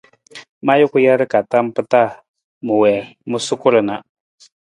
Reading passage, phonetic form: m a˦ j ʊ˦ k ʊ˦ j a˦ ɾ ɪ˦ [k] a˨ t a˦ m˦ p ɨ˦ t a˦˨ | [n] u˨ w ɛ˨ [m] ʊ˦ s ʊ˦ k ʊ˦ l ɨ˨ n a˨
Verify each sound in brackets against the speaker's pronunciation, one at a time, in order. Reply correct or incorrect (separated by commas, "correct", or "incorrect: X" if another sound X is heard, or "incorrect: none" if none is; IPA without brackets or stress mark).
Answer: correct, incorrect: m, correct